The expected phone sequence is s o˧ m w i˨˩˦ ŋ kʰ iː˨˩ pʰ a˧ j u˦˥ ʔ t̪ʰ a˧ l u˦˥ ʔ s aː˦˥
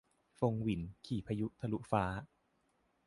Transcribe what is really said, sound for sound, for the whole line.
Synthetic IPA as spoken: f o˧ ŋ w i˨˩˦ n kʰ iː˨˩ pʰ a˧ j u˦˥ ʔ t̪ʰ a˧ l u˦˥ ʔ f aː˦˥